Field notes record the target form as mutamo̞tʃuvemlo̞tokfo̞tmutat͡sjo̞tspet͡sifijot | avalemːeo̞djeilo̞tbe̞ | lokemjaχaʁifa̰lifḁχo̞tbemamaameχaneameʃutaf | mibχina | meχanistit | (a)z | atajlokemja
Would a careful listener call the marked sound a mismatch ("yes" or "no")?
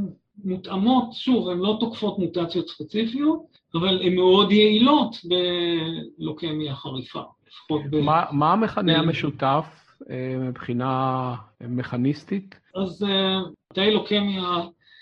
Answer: no